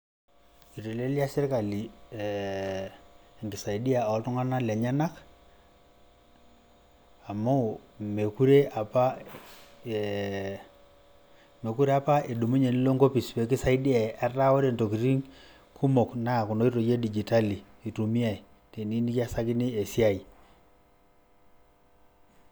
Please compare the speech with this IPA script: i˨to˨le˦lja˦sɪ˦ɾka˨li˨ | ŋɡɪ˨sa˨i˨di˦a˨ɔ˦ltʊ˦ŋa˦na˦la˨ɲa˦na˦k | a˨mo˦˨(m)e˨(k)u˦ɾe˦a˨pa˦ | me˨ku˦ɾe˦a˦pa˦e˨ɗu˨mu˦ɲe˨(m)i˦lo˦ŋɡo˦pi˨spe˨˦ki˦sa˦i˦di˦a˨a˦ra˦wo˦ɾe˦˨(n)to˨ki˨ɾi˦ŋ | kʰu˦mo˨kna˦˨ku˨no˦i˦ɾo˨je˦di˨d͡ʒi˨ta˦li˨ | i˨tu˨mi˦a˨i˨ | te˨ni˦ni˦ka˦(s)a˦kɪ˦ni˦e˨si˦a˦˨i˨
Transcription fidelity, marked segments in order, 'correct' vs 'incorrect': correct, correct, incorrect, correct, correct

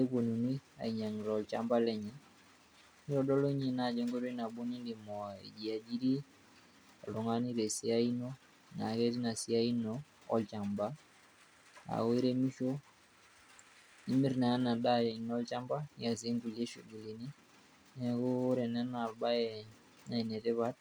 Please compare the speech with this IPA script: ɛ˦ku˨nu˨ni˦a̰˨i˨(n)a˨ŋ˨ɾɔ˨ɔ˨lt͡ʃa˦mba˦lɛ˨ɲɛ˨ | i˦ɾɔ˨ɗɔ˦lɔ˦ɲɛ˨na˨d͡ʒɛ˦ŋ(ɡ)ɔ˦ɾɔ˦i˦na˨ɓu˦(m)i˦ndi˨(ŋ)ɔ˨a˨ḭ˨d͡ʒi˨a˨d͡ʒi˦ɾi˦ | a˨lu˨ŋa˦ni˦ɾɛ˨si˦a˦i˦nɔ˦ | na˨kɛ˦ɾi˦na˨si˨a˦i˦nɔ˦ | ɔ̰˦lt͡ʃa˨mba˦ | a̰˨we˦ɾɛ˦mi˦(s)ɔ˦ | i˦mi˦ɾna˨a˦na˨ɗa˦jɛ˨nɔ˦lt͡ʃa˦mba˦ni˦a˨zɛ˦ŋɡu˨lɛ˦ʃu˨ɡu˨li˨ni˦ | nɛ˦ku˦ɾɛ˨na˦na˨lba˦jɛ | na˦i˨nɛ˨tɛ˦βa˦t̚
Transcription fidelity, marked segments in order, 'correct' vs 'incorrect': incorrect, correct, incorrect, incorrect, incorrect

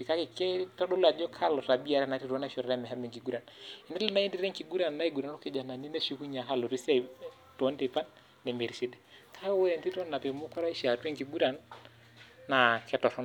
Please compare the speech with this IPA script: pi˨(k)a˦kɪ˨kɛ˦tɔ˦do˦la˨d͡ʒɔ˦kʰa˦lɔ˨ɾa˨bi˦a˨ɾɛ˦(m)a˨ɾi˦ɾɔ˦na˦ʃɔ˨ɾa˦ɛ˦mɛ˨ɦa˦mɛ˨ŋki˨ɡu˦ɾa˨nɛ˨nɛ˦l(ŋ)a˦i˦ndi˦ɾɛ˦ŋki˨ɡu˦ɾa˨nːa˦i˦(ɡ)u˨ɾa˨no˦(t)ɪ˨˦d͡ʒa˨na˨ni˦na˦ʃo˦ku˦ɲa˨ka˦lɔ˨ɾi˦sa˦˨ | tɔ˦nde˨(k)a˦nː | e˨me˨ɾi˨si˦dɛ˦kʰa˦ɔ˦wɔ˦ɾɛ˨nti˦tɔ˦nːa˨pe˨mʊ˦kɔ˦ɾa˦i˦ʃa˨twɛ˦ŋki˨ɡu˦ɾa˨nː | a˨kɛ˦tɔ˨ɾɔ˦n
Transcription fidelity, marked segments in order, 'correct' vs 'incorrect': correct, incorrect, incorrect, correct, incorrect, incorrect

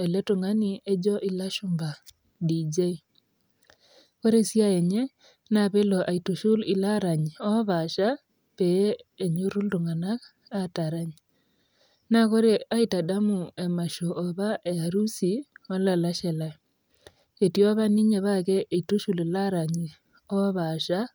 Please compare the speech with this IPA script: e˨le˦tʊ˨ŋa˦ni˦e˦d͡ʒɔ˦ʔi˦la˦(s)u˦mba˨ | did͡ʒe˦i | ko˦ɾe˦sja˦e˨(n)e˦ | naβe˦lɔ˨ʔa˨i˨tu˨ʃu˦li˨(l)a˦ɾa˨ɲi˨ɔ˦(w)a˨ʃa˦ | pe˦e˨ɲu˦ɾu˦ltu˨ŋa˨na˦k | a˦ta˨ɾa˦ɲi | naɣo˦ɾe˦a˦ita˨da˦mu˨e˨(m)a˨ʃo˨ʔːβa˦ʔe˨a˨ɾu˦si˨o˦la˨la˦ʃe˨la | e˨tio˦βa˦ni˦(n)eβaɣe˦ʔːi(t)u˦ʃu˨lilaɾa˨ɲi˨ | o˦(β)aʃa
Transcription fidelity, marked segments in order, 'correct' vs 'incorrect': incorrect, incorrect, correct, incorrect, correct, incorrect, correct, correct

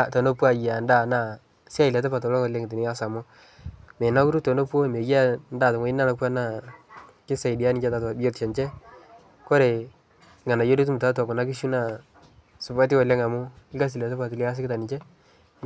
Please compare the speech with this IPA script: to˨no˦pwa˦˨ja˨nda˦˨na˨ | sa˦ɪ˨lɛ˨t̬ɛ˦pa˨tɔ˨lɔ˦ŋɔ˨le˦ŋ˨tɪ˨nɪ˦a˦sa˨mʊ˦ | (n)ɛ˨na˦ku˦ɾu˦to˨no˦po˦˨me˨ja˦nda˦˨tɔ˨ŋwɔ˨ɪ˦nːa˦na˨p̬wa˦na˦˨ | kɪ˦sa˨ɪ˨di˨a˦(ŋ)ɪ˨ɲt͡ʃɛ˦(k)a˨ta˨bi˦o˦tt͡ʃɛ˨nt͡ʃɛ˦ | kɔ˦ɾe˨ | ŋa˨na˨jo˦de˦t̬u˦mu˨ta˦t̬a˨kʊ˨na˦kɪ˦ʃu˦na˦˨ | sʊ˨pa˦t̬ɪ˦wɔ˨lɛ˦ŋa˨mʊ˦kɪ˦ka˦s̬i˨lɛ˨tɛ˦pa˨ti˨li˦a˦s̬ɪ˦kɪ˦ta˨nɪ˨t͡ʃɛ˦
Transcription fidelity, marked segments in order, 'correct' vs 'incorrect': incorrect, incorrect, incorrect

